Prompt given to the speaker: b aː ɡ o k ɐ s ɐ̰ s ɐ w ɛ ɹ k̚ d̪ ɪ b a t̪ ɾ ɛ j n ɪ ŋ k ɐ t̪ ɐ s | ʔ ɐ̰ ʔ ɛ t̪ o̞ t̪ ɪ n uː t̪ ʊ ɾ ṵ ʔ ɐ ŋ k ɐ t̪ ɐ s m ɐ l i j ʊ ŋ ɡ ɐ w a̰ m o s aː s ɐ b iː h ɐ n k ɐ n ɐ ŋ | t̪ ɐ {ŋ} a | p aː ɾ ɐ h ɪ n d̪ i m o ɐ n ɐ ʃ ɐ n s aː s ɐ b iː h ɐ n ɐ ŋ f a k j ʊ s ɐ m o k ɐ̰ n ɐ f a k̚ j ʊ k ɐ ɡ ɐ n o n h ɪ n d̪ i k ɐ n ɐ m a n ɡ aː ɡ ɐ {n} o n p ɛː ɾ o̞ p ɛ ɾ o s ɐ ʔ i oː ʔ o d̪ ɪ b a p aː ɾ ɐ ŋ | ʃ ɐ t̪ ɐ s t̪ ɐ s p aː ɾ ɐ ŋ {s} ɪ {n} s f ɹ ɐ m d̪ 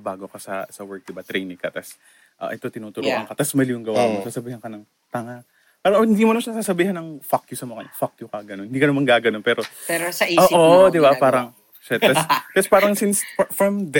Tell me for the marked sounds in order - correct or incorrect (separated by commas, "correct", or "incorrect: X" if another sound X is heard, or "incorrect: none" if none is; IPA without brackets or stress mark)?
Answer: correct, correct, correct, correct